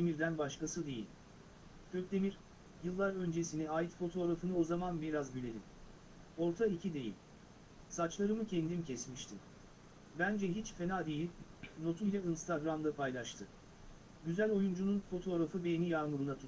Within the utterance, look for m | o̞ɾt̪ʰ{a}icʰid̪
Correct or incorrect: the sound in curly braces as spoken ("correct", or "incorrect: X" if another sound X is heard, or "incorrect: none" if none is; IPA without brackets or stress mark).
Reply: correct